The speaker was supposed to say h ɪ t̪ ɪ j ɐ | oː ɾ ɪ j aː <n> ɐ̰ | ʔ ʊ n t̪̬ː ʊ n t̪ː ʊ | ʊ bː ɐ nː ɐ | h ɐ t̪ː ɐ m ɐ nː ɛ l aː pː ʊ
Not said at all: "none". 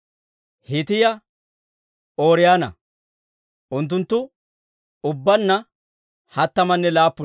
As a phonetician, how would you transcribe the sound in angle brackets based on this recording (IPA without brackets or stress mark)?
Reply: n